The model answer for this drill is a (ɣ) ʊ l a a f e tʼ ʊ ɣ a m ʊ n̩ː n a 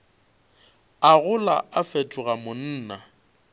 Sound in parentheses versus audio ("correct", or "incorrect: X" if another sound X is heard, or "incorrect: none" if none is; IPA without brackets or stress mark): correct